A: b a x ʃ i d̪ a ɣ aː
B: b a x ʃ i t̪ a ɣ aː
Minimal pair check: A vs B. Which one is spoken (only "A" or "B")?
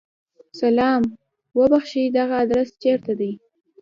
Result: A